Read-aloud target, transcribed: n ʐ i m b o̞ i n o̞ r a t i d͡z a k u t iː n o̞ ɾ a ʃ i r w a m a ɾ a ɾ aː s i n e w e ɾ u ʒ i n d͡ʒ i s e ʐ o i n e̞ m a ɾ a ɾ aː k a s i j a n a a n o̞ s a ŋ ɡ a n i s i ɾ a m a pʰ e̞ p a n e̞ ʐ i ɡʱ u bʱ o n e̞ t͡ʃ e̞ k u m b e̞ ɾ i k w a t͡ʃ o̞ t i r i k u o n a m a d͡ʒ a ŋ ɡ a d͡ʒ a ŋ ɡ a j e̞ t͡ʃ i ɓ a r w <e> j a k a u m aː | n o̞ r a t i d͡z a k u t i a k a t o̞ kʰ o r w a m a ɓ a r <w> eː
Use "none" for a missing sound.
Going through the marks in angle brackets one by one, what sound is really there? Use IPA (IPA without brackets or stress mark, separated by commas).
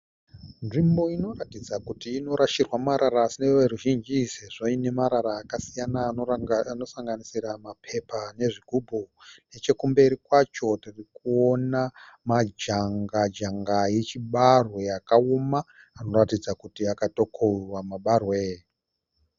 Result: e, w